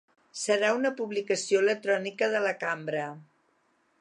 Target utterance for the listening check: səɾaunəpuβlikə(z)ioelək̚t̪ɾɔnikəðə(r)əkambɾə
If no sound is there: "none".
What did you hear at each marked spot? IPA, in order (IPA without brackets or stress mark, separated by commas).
s, l